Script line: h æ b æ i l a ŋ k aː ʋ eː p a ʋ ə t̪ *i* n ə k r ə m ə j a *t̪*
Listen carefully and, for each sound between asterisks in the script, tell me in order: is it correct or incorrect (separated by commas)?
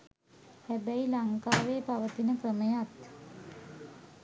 correct, correct